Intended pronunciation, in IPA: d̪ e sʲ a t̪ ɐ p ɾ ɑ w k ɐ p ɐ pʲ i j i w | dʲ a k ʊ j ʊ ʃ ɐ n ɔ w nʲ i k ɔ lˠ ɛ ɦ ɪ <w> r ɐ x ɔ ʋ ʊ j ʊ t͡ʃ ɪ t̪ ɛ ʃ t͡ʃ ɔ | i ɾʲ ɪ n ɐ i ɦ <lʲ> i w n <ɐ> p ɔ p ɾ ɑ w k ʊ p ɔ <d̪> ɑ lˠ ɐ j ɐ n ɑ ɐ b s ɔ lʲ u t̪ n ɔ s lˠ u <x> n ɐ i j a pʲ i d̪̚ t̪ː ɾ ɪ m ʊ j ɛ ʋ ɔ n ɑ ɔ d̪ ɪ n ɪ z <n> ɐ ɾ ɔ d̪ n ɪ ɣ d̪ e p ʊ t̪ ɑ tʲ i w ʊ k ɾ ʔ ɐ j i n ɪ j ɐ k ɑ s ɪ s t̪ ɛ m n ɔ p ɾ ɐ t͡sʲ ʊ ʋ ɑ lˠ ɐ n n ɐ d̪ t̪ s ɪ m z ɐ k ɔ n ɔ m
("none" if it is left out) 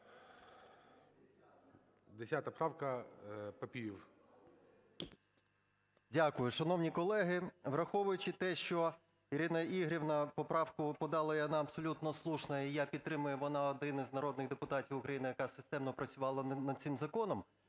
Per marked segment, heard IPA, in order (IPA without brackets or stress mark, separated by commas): ʋ, ɾʲ, ɐ, d̪, ʃ, n